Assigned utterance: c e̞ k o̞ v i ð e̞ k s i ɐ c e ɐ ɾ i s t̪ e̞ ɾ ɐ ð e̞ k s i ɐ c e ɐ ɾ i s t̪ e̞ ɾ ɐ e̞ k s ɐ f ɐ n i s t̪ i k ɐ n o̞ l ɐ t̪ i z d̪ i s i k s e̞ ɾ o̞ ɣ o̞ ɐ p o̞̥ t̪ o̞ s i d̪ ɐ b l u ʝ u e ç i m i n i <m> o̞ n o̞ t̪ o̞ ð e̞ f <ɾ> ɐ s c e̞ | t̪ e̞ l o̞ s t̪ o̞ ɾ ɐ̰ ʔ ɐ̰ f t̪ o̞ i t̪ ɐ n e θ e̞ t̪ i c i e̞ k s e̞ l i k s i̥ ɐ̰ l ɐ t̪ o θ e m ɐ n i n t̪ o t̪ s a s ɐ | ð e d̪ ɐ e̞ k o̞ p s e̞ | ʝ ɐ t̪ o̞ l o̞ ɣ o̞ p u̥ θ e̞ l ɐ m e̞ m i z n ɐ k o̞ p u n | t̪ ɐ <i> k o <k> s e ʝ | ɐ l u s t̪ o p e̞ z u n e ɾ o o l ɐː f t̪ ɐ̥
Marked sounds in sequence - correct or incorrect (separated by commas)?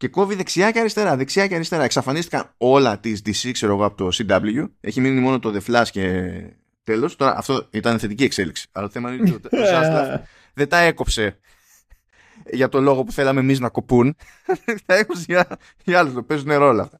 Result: correct, incorrect, incorrect, incorrect